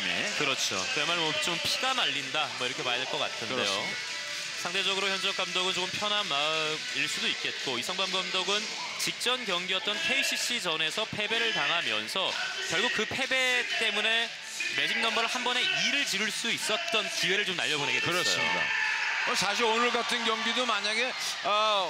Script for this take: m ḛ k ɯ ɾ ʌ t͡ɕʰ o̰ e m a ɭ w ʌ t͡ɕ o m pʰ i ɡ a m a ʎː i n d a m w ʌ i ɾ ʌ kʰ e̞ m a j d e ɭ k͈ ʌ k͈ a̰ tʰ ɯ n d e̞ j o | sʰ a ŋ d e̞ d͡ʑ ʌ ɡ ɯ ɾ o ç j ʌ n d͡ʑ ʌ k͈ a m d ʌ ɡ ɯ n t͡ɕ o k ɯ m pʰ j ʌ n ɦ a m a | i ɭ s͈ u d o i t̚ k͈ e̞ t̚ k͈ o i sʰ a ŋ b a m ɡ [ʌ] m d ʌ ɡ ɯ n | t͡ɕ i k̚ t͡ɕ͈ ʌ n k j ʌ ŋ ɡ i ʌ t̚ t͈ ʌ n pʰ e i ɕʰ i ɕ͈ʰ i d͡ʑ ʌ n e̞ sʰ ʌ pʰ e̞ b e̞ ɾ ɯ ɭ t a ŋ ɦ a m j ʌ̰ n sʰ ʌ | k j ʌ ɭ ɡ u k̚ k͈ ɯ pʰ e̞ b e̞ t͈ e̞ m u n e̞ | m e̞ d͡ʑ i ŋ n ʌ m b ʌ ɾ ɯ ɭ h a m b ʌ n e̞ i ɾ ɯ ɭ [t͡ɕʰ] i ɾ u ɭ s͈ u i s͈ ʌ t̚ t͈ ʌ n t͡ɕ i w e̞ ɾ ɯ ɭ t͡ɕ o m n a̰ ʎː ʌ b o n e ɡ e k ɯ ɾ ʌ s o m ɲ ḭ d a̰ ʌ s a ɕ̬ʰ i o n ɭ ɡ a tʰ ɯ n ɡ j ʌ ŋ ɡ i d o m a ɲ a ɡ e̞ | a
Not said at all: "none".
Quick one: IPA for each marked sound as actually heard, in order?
a, t͡ɕ

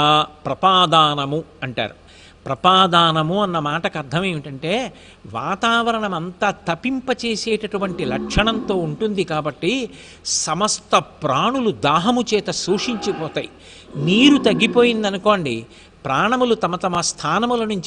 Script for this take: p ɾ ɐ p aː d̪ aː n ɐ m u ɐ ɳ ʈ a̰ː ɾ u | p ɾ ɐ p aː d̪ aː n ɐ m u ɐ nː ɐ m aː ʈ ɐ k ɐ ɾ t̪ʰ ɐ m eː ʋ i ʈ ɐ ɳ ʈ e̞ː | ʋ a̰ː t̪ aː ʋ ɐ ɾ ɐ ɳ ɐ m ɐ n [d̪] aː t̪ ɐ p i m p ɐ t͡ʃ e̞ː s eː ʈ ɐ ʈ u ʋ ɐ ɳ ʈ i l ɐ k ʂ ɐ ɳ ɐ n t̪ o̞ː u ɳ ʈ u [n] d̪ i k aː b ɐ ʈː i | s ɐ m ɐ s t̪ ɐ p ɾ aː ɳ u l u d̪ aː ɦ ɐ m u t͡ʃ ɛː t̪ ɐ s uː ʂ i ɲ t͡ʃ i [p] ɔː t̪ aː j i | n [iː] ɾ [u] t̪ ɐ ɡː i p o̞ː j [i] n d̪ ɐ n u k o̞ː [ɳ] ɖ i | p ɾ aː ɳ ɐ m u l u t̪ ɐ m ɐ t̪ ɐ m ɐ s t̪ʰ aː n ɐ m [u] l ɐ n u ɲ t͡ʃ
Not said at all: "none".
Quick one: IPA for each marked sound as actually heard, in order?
t̪, n, p, iː, u, i, ɳ, u

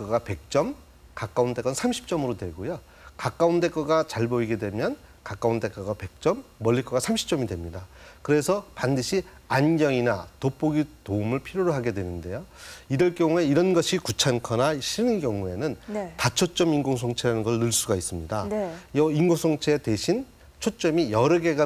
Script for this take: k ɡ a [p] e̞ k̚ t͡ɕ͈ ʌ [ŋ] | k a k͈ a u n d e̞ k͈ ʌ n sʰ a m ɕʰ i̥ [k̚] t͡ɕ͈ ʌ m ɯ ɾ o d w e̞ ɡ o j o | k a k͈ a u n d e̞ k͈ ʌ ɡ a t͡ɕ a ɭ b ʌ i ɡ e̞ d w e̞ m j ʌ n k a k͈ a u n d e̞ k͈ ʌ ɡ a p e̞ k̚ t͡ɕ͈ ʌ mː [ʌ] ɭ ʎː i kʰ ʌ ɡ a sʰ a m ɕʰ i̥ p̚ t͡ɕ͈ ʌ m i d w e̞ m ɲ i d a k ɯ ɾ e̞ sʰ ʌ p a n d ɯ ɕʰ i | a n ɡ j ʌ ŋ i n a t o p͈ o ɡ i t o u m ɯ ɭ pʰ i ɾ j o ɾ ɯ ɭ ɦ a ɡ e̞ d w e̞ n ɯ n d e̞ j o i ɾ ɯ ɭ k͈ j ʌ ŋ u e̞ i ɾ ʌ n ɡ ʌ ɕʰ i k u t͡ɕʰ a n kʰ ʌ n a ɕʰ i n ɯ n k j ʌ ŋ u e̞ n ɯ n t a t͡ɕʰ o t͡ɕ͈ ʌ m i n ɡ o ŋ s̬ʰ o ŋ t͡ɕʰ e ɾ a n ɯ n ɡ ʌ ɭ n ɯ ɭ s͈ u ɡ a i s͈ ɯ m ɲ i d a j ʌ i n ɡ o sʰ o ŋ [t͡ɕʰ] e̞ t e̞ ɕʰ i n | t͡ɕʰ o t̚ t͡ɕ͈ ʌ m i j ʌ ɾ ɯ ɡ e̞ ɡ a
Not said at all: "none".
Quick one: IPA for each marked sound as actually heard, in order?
p, m, p̚, ʌ, t͡ɕʰ

